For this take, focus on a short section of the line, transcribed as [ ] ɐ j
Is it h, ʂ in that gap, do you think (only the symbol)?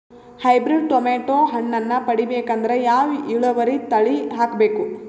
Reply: h